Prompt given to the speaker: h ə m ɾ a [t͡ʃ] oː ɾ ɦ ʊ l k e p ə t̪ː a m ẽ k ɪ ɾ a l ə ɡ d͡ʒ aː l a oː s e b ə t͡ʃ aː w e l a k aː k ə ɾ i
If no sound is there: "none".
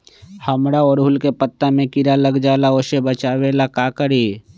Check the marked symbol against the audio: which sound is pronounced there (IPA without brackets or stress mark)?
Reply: none